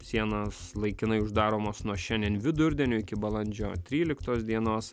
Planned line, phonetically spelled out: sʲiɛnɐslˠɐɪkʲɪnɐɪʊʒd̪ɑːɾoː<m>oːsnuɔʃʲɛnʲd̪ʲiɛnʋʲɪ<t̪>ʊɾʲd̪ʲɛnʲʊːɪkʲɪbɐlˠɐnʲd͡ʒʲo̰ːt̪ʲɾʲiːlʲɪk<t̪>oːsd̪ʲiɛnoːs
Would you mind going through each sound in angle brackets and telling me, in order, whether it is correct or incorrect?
correct, incorrect: d̪, correct

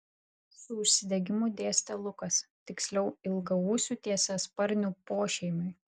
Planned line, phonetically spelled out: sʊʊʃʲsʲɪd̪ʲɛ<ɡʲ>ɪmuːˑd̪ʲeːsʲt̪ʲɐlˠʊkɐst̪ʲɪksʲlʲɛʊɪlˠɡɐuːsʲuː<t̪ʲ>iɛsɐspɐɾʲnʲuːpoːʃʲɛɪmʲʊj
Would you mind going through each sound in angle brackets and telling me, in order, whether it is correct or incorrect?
correct, correct

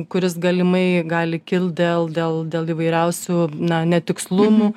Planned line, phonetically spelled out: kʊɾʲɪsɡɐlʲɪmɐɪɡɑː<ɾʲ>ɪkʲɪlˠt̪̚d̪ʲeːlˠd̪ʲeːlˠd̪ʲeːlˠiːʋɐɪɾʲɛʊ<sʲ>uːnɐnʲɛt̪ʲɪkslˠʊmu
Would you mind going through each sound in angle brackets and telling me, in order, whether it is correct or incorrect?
incorrect: lʲ, correct

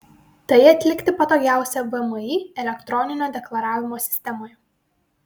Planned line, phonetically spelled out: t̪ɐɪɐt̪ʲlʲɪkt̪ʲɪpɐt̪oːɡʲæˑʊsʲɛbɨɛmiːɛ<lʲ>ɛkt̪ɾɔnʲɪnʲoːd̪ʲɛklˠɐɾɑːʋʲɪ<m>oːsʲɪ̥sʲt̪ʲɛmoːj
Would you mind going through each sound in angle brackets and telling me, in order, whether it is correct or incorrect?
correct, correct

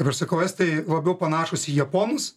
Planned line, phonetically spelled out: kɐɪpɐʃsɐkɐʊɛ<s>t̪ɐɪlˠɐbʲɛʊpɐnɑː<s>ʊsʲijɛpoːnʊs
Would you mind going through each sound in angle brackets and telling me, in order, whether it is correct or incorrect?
correct, incorrect: ʃ

